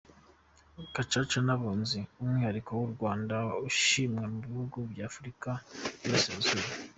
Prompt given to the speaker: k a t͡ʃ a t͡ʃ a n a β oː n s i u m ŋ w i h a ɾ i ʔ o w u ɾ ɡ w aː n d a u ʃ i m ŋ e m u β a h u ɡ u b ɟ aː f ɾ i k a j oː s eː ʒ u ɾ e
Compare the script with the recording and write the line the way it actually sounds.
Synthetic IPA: k a t͡ʃ a t͡ʃ a n a β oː n z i u m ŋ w i h a ɾ i k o w u ɾ ɡ w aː n d a u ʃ i m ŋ e m u β i h u ɡ u b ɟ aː f ɾ i k a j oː s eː z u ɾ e